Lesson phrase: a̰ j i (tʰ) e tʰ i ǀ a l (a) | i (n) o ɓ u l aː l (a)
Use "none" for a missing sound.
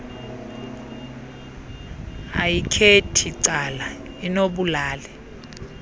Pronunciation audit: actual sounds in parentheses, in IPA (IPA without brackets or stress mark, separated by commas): kʰ, a, n, ɛ